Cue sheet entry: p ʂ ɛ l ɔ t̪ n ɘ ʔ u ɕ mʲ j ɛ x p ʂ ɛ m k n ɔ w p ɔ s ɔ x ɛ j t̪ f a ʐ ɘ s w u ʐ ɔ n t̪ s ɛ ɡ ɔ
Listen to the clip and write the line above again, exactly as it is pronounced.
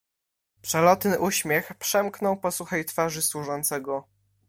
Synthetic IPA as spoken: p ʂ ɛ l ɔ t̪ n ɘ ʔ u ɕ mʲ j ɛ x p ʂ ɛ m k n ɔ w p ɔ s u x ɛ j t̪ f a ʐ ɘ s w u ʐ ɔ n t̪ s ɛ ɡ ɔ

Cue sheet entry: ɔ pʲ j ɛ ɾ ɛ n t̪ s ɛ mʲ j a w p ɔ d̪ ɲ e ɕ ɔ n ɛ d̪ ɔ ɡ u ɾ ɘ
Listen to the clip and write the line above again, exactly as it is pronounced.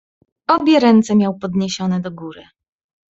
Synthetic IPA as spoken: ɔ bʲ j ɛ ɾ ɛ n t̪ s ɛ mʲ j a w p ɔ d̪ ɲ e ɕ ɔ n ɛ d̪ ɔ ɡ u ɾ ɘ

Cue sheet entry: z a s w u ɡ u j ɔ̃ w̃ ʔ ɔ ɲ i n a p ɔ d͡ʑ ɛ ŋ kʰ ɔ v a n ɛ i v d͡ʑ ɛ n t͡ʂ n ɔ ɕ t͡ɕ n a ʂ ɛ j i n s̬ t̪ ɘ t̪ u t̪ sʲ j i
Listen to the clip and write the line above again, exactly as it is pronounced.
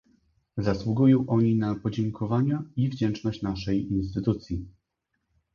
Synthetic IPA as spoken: z a s w u ɡ u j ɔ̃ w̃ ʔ ɔ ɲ i n a p ɔ d͡ʑ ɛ ŋ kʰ ɔ v a ɲ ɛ i v d͡ʑ ɛ n t͡ʂ n ɔ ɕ t͡ɕ n a ʂ ɛ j i n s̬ t̪ ɘ t̪ u t̪ sʲ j i

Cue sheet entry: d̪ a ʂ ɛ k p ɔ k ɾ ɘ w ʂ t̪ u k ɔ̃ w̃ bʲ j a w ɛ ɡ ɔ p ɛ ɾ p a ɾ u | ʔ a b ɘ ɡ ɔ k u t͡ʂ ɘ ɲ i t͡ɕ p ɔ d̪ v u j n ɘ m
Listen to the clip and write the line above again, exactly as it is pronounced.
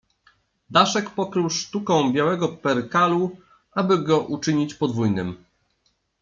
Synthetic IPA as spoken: d̪ a ʂ ɛ k p ɔ k ɾ ɘ w ʂ t̪ u k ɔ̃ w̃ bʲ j a w ɛ ɡ ɔ p ɛ ɾ k a l u | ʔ a b ɘ ɡ ɔ ʔ u t͡ʂ ɘ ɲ i t͡ɕ p ɔ d̪ v u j n ɘ m

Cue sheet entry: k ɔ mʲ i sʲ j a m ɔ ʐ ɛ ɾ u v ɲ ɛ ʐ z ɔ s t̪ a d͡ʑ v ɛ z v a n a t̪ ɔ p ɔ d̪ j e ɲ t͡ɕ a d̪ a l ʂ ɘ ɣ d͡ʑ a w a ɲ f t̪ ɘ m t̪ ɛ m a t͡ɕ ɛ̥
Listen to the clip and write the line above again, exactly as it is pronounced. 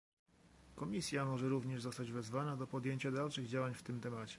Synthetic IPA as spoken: k ɔ mʲ i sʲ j a m ɔ ʐ ɛ ɾ u v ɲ ɛ ʐ z ɔ s t̪ a d͡ʑ v ɛ z v a n a d̪ ɔ p ɔ d̪ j e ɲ t͡ɕ a d̪ a l ʂ ɘ ɣ d͡ʑ a w a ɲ f t̪ ɘ m t̪ ɛ m a t͡ɕ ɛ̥

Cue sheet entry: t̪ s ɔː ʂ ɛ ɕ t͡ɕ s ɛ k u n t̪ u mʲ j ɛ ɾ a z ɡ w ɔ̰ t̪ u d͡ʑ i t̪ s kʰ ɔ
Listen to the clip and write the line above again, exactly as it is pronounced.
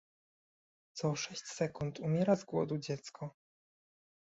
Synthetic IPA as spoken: t̪ s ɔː ʂ ɛ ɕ t͡ɕ s ɛ k u n t̪ u mʲ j ɛ ɾ a z ɡ w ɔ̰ d̪ u d͡ʑ ɛ t̪ s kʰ ɔ

